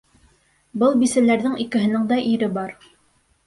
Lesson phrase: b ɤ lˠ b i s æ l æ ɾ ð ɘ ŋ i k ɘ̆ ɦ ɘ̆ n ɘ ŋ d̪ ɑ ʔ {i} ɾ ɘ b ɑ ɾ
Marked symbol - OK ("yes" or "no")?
yes